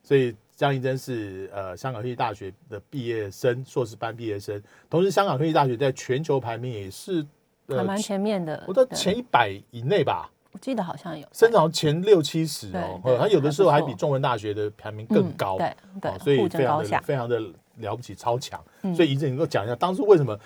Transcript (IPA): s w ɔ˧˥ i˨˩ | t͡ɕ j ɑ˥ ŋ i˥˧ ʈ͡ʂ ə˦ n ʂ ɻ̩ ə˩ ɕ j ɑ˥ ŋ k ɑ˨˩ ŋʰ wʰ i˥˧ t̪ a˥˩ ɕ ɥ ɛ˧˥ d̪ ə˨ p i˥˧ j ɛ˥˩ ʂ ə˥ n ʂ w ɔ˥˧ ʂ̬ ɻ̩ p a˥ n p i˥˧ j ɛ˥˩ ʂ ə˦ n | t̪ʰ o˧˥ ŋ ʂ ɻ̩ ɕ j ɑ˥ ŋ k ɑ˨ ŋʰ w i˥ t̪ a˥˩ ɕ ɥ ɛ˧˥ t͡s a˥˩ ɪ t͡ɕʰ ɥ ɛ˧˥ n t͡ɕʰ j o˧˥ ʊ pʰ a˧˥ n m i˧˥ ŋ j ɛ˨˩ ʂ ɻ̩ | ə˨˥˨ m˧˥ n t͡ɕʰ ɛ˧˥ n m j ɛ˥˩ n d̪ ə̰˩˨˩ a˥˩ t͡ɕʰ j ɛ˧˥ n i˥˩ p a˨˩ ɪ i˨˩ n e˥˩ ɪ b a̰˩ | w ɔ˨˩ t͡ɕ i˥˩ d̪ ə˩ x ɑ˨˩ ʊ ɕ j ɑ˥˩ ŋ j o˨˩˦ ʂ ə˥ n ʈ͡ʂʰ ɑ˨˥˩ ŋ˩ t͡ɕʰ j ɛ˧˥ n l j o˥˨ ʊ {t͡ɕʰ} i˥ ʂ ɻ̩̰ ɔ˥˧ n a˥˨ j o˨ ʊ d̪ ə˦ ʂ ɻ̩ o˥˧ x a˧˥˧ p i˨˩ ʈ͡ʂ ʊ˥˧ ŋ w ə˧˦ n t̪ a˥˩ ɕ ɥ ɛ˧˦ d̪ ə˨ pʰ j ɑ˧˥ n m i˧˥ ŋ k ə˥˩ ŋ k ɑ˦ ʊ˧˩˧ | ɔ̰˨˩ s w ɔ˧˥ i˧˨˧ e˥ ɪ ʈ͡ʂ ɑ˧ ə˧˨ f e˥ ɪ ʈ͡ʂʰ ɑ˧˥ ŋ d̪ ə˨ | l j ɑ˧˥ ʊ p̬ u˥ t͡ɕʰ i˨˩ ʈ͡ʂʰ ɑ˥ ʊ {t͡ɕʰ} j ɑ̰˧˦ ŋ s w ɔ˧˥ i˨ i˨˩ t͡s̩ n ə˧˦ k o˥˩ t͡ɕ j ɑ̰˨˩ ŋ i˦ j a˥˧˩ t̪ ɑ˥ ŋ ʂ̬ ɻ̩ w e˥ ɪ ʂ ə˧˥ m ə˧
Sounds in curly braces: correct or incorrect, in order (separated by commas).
correct, correct